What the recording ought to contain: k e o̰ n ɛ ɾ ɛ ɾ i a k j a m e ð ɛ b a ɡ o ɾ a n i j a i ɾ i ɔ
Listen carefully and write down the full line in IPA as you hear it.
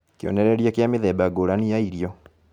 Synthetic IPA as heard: k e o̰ n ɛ ɾ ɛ ɾ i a k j a m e ð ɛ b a ɡ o ɾ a n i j a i ɾ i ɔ